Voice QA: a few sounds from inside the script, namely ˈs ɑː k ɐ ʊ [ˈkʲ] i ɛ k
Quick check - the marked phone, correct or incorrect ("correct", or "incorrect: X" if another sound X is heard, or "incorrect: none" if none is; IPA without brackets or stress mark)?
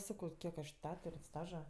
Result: correct